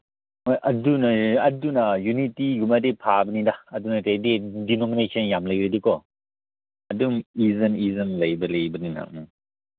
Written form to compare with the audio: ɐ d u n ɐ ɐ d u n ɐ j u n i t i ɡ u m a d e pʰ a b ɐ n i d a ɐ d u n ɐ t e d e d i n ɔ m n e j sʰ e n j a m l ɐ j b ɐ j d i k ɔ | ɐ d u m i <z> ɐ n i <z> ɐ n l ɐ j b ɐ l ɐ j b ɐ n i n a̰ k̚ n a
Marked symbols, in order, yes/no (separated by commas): yes, yes